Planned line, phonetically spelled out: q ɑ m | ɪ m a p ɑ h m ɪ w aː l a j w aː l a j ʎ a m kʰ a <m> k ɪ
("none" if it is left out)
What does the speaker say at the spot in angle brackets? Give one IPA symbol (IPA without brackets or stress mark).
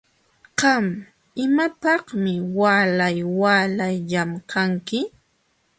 ŋ